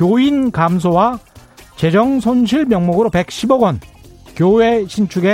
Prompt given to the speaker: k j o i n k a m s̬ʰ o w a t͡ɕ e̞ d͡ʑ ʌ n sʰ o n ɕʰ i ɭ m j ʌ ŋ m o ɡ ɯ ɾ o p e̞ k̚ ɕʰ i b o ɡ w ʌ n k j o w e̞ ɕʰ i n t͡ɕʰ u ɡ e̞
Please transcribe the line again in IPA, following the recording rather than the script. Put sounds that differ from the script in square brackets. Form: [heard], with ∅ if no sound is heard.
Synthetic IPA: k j o i n k a m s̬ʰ o w a t͡ɕ e̞ d͡ʑ ʌ [ŋ] sʰ o n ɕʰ i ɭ m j ʌ ŋ m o ɡ ɯ ɾ o p e̞ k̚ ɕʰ i b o ɡ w ʌ n k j o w e̞ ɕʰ i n t͡ɕʰ u ɡ e̞